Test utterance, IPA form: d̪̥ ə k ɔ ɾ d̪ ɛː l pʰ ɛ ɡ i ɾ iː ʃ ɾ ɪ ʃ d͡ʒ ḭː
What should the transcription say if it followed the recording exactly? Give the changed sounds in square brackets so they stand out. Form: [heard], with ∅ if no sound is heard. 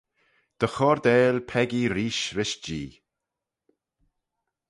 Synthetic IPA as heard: d̪̥ ə [x] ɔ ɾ d̪ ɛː l pʰ ɛ ɡ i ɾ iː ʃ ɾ ɪ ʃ d͡ʒ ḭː